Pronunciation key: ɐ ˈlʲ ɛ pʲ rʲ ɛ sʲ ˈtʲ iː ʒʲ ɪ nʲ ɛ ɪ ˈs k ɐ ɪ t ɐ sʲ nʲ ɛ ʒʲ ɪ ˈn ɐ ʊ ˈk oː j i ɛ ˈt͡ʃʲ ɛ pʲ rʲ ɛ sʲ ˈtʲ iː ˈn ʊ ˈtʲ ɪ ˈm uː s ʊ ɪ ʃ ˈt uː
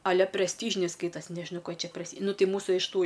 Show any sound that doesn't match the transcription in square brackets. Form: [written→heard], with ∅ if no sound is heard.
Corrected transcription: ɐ ˈlʲ ɛ pʲ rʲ ɛ sʲ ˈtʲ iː ʒʲ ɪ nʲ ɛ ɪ ˈs k ɐ ɪ t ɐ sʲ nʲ ɛ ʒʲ ɪ ˈn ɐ ʊ ˈk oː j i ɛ ˈt͡ʃʲ ɛ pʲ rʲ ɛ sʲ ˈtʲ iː ˈn ʊ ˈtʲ ɪ ˈm uː s ʊ ɪ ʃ ˈt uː